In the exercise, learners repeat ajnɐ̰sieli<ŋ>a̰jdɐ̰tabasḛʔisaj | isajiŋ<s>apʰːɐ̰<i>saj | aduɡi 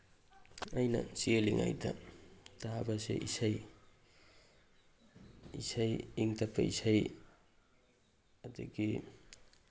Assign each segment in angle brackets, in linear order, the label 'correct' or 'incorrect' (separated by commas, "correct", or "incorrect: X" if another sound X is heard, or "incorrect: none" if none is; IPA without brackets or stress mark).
correct, incorrect: t, correct